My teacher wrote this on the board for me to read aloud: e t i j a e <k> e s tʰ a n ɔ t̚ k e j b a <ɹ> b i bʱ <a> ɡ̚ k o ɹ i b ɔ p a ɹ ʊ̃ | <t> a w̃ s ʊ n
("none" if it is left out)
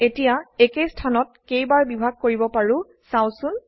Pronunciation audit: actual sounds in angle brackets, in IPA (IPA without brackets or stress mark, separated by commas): k, ɹ, a, s